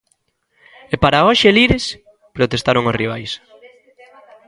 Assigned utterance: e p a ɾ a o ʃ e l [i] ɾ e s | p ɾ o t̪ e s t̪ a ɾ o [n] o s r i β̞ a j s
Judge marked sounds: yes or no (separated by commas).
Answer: yes, no